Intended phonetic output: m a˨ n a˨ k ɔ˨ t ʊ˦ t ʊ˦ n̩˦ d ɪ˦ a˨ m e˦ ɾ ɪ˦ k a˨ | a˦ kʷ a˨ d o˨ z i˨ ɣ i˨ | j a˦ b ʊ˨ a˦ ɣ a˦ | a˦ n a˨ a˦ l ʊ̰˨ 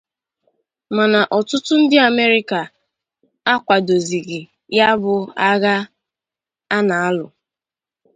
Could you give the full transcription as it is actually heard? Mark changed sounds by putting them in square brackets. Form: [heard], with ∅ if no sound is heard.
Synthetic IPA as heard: m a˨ n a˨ [ʔ] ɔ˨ t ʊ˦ t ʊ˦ n̩˦ d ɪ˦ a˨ m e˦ ɾ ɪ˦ k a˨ | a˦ kʷ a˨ d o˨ z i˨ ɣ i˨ | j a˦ b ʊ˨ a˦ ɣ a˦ | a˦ n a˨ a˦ l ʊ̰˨